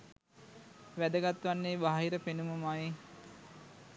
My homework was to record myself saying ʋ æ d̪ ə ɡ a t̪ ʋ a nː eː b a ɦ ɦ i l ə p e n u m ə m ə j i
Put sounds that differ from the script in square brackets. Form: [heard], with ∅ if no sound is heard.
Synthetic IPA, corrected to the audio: ʋ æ d̪ ə ɡ a t̪ ʋ a nː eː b a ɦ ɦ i [ɾ] ə p e n u m ə m [a] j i